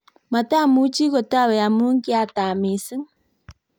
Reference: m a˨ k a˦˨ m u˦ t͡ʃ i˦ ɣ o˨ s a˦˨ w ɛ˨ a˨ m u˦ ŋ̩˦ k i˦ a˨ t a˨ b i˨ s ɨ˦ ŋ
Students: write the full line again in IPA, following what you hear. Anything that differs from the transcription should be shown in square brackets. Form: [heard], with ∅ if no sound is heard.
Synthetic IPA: m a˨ [t] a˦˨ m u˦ t͡ʃ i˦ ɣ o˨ [t] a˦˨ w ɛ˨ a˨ m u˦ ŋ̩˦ k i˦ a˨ t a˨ [m] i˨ s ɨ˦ ŋ